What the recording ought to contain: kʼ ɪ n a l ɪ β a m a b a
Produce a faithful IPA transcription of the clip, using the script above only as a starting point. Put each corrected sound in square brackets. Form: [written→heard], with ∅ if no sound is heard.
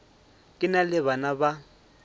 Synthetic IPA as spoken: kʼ ɪ n a l ɪ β a [m→n] a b a